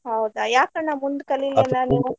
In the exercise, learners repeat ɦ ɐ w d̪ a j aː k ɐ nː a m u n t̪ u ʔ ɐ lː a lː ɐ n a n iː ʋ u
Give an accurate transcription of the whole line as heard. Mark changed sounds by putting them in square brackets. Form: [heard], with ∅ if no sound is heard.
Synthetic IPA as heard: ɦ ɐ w d̪ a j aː k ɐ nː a m u n [d̪] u [k] ɐ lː [i] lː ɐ n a n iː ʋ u

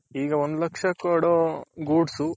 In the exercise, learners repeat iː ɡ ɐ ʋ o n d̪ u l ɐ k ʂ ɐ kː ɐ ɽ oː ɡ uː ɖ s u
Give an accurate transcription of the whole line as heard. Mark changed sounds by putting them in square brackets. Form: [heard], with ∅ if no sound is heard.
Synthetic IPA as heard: iː ɡ ɐ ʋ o n d̪ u l ɐ k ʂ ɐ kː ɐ ɽ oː ɡ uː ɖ s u

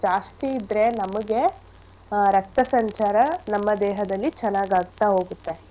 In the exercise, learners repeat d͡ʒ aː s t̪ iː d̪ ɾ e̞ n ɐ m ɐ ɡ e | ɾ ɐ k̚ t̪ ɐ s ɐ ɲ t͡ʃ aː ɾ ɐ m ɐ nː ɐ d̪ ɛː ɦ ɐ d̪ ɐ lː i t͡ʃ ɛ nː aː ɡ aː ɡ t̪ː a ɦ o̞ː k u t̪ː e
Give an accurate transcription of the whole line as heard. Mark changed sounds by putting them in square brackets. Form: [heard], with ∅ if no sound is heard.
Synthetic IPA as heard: d͡ʒ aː s t̪ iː d̪ ɾ e̞ n ɐ m ɐ ɡ e | ɾ ɐ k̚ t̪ ɐ s ɐ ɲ t͡ʃ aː ɾ ɐ [n] ɐ [mː] ɐ d̪ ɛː ɦ ɐ d̪ ɐ lː i t͡ʃ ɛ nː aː ɡ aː ɡ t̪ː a ɦ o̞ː [ɡ] u t̪ː e

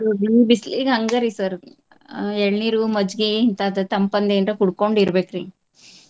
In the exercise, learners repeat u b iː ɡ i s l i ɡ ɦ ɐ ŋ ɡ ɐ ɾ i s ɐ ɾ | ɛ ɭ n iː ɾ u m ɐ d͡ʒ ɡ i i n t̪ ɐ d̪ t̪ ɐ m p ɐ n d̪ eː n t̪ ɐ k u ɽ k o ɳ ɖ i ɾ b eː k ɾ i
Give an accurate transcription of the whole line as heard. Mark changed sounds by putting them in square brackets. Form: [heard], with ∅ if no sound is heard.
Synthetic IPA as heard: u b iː [b] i s l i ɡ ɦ ɐ ŋ ɡ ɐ ɾ i s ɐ ɾ | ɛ ɭ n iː ɾ u m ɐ d͡ʒ ɡ i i n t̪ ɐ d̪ t̪ ɐ m p ɐ n d̪ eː n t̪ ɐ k u ɽ k o ɳ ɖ i ɾ b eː k ɾ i

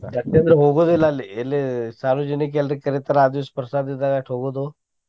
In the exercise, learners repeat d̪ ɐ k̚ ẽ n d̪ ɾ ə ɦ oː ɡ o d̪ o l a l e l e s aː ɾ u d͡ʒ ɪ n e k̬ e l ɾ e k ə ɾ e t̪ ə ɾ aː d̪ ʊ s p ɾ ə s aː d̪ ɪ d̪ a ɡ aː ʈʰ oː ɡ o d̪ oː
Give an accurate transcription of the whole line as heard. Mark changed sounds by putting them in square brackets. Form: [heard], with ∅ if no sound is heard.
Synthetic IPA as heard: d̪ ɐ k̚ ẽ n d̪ ɾ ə ɦ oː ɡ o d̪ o l a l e l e s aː ɾ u d͡ʒ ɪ n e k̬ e l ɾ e k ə ɾ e t̪ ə ɾ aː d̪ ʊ s p ɾ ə s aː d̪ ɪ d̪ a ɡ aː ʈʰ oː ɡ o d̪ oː

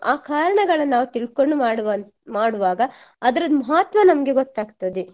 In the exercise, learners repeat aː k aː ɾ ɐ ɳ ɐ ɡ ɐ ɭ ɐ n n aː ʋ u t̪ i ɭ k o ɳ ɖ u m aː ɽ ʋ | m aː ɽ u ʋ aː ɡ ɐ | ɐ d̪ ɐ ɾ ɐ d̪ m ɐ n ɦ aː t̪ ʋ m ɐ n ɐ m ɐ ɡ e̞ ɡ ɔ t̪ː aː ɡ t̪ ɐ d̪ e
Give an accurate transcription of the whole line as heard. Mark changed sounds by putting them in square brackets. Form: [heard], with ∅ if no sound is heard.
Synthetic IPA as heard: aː k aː ɾ ɐ ɳ ɐ ɡ ɐ ɭ ɐ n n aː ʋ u t̪ i ɭ k o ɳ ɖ u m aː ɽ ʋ | m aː ɽ u ʋ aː ɡ ɐ | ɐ d̪ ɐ ɾ ɐ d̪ m ɐ [∅] ɦ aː t̪ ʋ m ɐ n ɐ m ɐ ɡ e̞ ɡ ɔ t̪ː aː ɡ t̪ ɐ d̪ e

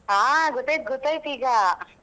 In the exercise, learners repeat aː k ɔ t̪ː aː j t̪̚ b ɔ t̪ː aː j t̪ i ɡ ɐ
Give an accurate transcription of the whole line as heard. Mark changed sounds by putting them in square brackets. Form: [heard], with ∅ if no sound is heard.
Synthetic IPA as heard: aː [ɡ] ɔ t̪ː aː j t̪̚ [ɡ] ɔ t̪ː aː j t̪ [iː] ɡ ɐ

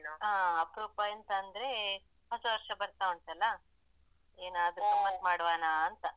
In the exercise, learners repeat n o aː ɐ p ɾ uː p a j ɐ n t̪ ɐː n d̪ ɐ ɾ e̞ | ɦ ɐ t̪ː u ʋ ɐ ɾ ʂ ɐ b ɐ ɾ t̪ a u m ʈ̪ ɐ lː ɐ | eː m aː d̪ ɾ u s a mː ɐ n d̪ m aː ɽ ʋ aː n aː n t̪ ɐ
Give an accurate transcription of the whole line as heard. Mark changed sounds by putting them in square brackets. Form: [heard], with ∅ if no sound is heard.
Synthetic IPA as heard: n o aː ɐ p ɾ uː p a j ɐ n t̪ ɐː n d̪ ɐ ɾ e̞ | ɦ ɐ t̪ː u ʋ ɐ ɾ ʂ ɐ b ɐ ɾ t̪ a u [ɳ] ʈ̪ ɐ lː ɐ | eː [n] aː d̪ ɾ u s [ɐ] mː ɐ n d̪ m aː ɽ ʋ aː n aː n t̪ ɐ

